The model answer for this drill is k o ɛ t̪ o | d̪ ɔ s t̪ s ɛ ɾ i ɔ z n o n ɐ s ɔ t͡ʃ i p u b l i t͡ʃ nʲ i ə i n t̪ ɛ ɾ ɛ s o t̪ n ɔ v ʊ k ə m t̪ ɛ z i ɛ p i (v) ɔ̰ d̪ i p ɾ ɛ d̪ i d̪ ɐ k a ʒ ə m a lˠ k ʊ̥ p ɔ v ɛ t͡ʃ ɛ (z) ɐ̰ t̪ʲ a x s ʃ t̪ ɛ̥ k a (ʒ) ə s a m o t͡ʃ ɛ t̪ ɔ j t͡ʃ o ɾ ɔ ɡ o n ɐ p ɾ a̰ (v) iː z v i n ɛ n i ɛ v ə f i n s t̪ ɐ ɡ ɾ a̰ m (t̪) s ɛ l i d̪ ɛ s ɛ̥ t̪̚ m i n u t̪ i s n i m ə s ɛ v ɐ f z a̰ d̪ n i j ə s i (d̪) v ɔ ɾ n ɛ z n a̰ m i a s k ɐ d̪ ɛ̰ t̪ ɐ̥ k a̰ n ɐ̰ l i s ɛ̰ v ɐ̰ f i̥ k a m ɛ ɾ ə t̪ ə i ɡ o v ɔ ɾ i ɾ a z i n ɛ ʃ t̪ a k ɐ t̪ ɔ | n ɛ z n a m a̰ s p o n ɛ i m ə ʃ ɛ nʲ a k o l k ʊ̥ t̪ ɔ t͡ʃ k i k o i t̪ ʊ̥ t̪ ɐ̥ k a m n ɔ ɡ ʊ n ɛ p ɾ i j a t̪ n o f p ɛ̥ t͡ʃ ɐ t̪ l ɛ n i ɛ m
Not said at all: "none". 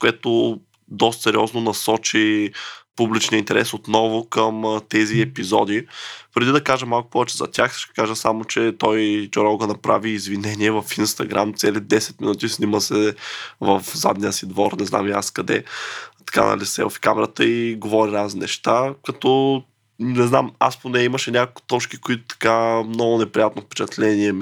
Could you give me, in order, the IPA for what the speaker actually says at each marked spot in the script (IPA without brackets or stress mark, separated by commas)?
z, z, ʒ, v, t̪, d̪